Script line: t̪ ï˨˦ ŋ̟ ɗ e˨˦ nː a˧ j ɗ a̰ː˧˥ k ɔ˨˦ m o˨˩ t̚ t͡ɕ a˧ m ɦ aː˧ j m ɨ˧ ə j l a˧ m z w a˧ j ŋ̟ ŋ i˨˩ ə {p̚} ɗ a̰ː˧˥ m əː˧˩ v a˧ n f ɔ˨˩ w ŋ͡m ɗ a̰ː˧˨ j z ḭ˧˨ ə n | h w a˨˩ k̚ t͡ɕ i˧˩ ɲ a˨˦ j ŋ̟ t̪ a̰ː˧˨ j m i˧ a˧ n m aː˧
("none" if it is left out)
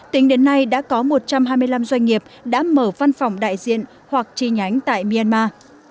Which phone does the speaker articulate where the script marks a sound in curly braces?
p̚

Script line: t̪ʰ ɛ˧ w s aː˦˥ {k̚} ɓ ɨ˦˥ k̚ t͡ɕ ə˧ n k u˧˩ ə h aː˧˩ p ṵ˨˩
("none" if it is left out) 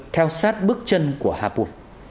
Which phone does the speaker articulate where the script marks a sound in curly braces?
t̚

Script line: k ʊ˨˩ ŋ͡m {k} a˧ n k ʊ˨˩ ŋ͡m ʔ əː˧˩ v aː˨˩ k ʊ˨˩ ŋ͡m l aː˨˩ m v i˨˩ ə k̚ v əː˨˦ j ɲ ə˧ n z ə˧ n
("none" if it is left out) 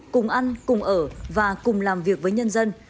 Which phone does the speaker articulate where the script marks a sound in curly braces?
ʔ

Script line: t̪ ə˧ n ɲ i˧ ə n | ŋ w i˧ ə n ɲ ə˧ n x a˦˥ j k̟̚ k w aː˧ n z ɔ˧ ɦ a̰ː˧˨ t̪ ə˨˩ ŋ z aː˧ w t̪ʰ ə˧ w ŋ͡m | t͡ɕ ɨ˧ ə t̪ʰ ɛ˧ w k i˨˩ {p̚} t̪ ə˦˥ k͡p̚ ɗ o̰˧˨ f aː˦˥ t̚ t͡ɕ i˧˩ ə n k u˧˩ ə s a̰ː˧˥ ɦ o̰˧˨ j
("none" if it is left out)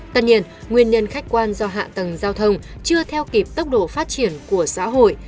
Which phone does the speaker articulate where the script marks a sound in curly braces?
p̚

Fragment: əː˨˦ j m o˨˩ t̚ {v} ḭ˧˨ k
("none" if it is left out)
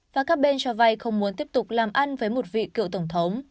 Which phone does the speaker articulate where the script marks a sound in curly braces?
v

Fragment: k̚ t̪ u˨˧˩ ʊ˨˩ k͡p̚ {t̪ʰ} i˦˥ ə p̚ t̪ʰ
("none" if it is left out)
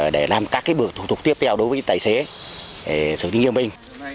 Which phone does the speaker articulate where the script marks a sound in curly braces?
t̪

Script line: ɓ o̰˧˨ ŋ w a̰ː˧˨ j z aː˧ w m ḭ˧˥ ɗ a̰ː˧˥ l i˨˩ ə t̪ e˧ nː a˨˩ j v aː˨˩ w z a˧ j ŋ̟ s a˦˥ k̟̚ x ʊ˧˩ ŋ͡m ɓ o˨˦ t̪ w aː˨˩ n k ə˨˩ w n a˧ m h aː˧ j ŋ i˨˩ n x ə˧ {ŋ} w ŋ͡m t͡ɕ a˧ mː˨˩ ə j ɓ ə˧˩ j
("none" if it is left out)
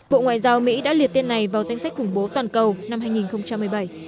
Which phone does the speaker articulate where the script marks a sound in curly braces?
none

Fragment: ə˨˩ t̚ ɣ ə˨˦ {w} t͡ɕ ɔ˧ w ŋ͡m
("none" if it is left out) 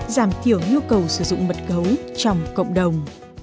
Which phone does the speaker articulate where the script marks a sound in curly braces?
w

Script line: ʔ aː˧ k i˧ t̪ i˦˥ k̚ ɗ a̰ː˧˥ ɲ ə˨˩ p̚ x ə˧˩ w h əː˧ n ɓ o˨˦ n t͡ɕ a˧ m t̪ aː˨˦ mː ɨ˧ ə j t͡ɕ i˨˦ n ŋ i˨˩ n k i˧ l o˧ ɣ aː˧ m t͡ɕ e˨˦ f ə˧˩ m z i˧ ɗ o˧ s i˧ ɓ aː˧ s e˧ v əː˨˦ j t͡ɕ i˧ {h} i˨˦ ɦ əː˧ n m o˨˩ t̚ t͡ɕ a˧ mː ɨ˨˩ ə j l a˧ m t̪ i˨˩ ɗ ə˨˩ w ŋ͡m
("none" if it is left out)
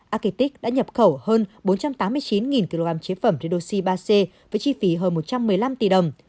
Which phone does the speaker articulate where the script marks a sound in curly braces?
f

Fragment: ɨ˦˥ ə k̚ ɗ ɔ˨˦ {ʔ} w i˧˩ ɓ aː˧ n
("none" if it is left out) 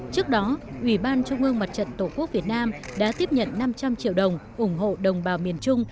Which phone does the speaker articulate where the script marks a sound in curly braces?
ʔ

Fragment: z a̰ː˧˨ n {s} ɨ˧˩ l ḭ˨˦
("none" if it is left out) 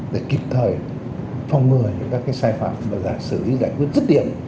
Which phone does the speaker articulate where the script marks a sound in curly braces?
s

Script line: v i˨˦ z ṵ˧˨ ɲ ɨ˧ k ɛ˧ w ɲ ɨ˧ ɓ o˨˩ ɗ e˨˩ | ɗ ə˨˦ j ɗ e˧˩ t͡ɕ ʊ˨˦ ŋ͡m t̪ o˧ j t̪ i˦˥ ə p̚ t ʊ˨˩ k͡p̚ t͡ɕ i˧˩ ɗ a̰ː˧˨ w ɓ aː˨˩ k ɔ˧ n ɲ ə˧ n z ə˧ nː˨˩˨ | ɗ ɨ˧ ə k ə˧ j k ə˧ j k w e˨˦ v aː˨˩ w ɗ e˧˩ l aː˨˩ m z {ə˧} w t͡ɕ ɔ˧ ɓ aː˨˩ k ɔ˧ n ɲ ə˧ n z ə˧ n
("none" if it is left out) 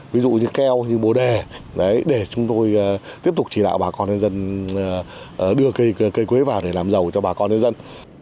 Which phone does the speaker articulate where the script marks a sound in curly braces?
ə˨˩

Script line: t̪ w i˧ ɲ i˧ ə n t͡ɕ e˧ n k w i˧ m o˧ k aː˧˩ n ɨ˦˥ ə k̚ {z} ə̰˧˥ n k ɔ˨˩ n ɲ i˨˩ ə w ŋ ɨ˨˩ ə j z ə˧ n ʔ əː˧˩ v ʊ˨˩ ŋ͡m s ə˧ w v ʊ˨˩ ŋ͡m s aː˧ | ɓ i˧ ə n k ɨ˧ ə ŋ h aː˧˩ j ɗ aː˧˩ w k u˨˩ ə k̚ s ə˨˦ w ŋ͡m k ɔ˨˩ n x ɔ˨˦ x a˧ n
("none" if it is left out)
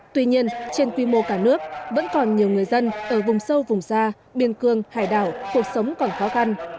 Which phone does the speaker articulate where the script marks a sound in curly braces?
v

